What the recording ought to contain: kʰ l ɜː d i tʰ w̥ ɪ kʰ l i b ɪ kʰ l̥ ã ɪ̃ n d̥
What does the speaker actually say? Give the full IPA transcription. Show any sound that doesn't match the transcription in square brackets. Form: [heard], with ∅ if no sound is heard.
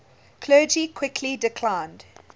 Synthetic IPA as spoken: kʰ l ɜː [d͡ʒ] i [kʰ] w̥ ɪ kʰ l i [d] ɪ kʰ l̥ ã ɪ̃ n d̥

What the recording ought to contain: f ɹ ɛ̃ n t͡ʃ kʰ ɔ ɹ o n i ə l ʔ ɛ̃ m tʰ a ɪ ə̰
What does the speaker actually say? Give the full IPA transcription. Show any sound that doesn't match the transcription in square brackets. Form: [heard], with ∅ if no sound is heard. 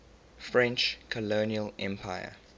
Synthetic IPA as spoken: f ɹ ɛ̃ n t͡ʃ kʰ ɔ [l] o n i ə l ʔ ɛ̃ m [pʰ] a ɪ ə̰

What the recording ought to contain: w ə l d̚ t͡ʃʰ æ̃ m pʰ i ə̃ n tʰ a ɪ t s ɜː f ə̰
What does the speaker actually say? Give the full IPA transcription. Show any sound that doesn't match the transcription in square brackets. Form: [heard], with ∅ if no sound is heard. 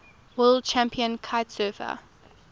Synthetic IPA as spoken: w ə l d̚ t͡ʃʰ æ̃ m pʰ i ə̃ n [kʰ] a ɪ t s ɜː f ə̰

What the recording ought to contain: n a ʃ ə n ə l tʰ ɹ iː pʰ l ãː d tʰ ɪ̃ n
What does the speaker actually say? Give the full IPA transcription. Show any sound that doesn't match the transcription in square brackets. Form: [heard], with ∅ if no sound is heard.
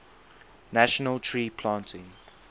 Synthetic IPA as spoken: n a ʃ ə n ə l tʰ ɹ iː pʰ l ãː [n] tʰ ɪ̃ [ŋ]

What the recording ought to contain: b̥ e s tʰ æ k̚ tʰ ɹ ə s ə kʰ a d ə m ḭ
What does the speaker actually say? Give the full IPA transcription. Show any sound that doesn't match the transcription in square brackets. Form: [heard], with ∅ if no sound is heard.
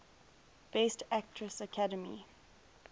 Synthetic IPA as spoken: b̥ e s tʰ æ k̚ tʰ ɹ ə s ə kʰ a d ə m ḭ

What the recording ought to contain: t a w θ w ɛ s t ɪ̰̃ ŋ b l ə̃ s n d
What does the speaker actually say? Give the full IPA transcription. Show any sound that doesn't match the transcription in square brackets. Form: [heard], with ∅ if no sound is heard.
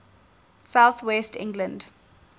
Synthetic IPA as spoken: [s] a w θ w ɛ s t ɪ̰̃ ŋ [ɡ] l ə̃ [∅] n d

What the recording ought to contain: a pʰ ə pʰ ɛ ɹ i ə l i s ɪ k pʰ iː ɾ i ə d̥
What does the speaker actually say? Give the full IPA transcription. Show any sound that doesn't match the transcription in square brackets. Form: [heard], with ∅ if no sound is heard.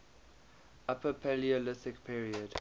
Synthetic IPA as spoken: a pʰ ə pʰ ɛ [l] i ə l [ɪ] s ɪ k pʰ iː [ɹ] i ə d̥

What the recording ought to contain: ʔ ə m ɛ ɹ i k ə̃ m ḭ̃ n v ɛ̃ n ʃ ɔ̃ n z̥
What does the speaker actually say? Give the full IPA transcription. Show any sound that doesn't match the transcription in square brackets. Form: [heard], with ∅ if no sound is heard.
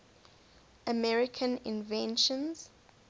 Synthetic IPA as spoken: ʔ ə m ɛ ɹ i [kʰ] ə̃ [n] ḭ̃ n v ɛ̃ n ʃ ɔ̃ n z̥

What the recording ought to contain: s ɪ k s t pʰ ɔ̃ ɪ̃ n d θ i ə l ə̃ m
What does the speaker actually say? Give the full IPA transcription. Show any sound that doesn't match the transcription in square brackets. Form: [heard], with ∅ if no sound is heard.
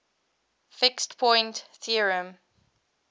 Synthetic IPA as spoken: [f] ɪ k s t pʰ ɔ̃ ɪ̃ n [t] θ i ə [ɹ] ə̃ m

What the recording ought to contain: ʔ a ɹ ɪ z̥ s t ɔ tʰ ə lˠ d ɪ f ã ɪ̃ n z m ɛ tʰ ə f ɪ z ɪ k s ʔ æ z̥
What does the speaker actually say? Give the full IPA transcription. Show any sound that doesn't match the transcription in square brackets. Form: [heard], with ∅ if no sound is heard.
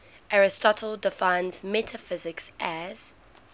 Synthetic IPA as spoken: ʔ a ɹ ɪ [∅] s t ɔ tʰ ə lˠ d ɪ f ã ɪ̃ n z m ɛ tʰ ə f ɪ z ɪ k s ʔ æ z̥

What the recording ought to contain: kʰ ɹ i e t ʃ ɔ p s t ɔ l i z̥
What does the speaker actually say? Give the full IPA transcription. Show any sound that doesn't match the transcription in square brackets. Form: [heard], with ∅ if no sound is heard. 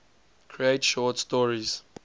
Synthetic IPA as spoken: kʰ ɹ i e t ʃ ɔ [t] s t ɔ [ɹ] i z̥

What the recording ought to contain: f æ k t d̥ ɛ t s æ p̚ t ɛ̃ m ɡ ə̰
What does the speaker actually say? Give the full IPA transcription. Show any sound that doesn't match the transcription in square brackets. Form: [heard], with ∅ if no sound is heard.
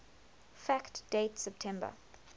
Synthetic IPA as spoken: f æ k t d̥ [e] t s [ɛ] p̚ [tʰ] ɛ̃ m [b] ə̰

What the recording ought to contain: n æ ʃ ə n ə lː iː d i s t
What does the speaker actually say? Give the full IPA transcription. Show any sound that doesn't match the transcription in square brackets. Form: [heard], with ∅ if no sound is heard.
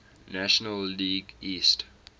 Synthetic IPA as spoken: n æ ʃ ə n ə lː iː [ɡ] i s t

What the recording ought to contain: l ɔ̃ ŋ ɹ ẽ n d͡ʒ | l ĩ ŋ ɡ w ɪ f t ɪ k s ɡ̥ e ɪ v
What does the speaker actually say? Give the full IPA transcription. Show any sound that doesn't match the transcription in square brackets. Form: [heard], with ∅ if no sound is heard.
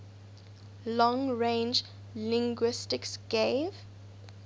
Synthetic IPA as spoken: l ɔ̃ ŋ ɹ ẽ n d͡ʒ | l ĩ ŋ ɡ w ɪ [s] t ɪ k s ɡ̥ e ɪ v

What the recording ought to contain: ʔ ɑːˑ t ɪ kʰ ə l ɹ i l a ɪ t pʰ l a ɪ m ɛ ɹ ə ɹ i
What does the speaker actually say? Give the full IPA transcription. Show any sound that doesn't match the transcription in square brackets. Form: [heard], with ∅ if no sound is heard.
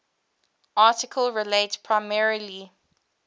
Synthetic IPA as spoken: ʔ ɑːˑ t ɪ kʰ ə l ɹ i l [e] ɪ t pʰ [ɹ] a ɪ m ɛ ɹ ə [l] i

